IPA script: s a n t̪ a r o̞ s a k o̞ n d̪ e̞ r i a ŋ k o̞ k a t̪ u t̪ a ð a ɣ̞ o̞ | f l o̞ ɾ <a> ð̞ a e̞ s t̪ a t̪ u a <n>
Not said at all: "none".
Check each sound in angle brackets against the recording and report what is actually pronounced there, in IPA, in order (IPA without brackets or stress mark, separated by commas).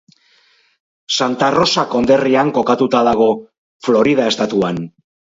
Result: i, n